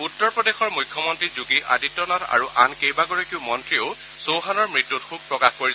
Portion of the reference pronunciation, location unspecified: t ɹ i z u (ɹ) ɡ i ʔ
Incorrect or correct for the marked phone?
incorrect: none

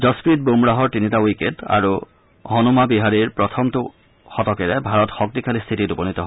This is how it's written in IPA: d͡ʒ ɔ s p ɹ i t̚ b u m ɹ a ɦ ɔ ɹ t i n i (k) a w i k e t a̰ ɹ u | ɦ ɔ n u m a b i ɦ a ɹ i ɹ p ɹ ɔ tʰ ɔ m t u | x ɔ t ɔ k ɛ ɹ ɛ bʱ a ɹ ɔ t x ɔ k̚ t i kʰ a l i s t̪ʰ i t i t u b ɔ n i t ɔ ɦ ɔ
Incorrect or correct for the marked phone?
incorrect: t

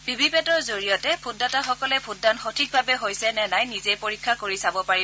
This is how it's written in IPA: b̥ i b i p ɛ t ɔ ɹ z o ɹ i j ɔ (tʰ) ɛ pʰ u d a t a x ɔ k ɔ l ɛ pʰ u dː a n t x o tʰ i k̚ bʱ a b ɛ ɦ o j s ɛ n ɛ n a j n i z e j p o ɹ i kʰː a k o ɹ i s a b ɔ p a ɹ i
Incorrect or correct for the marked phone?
incorrect: t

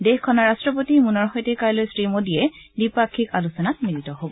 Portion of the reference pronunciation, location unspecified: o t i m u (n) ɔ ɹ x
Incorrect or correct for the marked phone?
correct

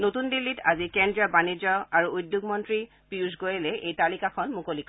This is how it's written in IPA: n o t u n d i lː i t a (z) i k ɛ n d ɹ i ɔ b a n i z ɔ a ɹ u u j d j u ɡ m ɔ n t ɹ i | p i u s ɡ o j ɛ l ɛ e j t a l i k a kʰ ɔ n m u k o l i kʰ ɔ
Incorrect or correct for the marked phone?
correct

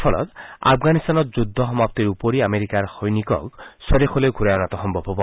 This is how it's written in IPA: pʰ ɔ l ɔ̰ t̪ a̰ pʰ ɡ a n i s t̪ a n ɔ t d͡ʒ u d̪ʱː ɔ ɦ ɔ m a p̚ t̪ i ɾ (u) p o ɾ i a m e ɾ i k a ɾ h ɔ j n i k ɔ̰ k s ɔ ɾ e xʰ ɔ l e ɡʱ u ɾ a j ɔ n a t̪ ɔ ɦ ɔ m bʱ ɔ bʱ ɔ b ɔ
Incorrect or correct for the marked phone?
correct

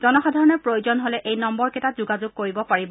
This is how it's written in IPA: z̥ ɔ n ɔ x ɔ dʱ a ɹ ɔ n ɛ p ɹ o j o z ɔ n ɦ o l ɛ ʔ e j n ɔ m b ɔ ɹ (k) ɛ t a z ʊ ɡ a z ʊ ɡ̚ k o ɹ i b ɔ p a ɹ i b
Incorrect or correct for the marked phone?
correct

